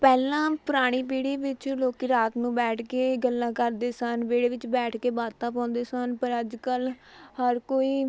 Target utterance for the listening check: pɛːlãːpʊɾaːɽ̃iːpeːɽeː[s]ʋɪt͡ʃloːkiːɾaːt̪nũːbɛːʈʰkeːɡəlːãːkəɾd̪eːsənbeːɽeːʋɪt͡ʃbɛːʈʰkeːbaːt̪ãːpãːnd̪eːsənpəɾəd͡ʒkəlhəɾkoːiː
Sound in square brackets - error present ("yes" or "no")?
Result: yes